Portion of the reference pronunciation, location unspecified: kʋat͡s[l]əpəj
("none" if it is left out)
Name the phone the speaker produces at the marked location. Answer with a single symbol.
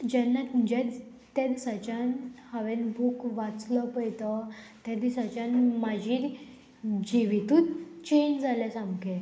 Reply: l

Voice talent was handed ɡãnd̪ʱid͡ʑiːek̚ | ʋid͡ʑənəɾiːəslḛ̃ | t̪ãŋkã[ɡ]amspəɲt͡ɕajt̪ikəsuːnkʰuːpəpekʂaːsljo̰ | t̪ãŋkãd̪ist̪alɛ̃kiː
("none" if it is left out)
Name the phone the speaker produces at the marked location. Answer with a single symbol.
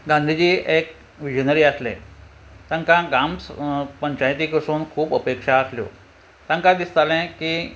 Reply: ɡ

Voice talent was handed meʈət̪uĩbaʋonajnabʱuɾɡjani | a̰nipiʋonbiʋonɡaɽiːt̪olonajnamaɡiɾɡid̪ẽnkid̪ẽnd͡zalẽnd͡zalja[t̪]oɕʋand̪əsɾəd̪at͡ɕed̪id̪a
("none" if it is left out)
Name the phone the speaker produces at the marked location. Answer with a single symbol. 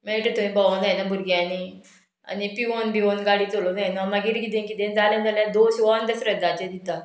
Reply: d̪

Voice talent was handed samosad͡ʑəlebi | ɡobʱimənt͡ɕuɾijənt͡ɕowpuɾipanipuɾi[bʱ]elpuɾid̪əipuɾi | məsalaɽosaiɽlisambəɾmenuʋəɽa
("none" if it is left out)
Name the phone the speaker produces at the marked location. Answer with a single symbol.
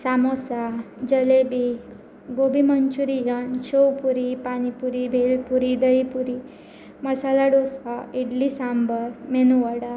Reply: bʱ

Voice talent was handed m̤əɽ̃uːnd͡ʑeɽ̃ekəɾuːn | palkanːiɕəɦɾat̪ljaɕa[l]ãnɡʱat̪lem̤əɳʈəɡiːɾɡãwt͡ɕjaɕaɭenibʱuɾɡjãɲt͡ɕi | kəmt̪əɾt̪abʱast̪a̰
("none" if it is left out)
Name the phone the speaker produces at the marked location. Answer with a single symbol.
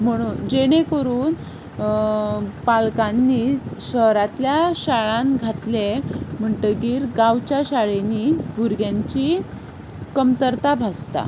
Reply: ɭ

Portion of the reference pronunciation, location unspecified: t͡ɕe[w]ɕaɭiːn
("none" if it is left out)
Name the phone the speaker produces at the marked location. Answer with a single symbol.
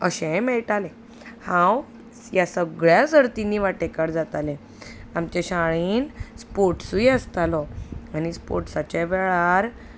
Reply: none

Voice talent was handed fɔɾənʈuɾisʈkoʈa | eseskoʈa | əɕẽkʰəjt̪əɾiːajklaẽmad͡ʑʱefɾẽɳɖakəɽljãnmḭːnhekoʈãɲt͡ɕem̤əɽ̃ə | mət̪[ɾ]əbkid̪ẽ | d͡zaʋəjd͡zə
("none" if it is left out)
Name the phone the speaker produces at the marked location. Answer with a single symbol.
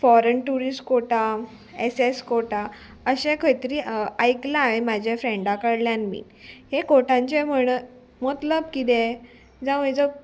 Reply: l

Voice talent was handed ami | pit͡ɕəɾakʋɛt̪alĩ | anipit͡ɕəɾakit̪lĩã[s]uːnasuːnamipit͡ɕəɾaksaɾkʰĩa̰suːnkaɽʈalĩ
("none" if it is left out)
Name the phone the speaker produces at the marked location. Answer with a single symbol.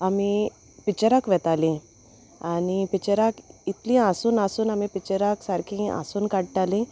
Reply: s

